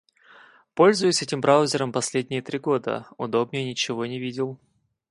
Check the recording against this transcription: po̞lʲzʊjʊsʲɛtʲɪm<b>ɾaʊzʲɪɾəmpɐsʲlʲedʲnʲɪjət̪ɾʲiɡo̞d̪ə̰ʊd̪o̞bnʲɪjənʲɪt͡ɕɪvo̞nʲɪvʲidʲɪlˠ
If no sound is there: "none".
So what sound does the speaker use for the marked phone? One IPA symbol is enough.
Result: b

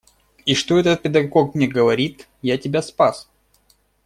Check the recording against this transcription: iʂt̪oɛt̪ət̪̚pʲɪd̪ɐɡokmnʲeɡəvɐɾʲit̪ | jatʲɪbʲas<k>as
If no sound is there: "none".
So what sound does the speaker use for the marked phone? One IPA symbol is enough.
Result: p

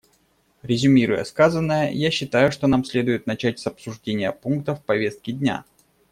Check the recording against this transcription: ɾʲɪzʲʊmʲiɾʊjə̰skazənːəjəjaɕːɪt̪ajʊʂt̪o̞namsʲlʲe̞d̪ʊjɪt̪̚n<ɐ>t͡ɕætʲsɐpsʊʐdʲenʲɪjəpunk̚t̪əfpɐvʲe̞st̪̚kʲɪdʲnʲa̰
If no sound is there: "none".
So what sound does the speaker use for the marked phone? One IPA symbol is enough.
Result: ɐ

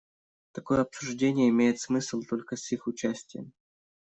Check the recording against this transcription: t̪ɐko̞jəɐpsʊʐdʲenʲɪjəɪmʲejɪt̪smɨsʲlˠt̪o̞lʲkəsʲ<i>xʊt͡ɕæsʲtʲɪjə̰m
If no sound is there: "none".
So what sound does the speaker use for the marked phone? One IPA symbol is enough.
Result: i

